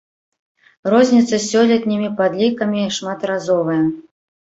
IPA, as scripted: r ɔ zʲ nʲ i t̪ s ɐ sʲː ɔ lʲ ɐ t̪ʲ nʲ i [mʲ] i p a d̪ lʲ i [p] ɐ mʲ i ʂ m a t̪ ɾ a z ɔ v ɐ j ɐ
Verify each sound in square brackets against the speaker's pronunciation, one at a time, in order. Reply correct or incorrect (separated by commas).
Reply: correct, incorrect